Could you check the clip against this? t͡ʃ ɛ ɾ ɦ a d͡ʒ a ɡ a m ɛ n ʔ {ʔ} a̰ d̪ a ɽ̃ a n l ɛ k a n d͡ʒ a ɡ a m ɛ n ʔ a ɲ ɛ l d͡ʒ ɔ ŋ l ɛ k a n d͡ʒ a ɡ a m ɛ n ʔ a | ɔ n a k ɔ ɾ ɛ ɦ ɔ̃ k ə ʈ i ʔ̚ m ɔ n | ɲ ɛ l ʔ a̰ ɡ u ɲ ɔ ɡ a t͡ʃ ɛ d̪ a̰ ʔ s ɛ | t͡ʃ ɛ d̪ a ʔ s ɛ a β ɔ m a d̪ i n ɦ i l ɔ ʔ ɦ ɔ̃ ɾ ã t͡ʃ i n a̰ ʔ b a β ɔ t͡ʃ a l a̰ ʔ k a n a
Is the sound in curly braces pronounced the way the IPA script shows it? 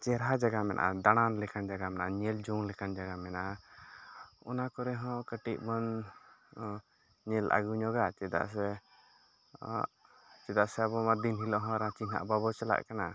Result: yes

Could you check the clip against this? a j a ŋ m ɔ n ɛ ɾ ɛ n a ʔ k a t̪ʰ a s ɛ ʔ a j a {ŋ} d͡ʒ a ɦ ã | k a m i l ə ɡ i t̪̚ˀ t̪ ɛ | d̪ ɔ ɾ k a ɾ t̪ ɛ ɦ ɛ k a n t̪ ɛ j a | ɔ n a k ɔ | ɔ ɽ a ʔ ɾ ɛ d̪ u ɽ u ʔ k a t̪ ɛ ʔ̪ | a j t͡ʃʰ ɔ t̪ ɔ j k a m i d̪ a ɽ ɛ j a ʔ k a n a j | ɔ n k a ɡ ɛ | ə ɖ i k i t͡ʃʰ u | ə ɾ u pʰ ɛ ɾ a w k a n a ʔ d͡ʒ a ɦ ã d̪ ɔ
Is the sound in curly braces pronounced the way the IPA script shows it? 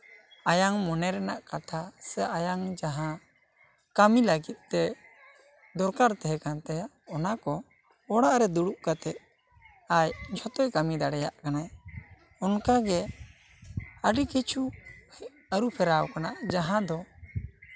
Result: yes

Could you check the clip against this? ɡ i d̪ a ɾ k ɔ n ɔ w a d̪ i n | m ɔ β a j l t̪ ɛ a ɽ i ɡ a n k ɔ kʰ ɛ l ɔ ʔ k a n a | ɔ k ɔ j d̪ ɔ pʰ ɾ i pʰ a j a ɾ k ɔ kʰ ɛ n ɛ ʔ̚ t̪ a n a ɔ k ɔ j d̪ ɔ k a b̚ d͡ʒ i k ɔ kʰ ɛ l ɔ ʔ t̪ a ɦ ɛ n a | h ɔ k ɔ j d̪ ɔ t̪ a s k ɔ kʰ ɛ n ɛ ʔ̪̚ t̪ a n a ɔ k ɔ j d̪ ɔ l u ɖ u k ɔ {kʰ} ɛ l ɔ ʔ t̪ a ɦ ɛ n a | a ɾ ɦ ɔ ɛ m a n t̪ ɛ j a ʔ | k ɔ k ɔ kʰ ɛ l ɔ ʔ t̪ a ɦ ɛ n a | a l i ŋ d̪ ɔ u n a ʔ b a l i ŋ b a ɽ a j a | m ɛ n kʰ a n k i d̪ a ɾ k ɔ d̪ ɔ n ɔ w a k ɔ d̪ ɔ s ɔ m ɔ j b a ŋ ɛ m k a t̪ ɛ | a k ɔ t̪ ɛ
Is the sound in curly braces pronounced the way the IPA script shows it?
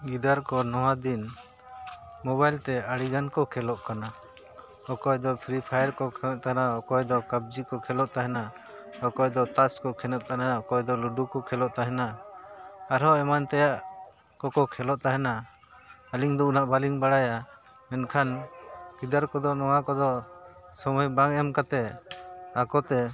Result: yes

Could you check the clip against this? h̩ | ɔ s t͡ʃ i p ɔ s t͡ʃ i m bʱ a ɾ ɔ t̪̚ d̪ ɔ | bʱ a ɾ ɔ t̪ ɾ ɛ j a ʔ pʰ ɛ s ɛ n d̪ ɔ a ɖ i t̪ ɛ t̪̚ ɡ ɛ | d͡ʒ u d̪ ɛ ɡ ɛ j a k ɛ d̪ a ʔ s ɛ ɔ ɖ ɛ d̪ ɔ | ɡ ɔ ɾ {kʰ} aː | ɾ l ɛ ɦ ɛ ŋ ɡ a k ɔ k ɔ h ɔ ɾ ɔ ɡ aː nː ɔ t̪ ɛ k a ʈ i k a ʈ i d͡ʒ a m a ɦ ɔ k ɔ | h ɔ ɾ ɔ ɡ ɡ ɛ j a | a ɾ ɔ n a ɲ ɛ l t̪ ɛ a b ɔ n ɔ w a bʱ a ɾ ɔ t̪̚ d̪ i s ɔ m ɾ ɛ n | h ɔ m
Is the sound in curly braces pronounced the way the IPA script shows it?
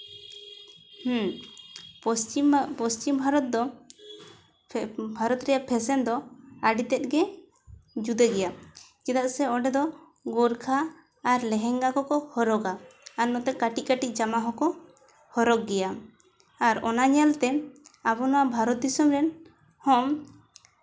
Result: yes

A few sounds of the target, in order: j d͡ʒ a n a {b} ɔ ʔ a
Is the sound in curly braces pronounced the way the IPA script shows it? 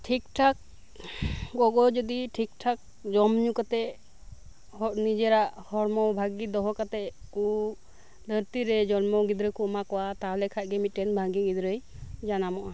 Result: no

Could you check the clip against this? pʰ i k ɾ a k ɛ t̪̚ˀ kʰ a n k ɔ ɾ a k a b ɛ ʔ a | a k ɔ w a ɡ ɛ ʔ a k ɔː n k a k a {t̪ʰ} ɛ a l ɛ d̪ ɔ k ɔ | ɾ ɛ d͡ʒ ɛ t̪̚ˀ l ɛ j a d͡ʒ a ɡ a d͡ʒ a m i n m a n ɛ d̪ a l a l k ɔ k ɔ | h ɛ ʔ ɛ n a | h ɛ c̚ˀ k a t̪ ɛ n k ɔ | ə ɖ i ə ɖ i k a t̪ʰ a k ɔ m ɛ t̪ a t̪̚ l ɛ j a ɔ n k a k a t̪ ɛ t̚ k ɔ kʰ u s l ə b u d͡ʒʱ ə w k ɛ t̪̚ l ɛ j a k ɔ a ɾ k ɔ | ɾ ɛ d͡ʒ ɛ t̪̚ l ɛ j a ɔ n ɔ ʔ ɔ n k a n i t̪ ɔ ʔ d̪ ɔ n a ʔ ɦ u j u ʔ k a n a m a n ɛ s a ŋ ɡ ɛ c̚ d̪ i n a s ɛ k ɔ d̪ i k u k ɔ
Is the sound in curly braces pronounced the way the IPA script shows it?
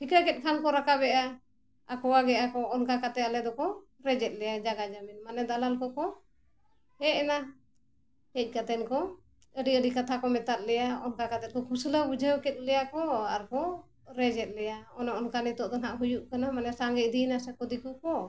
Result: no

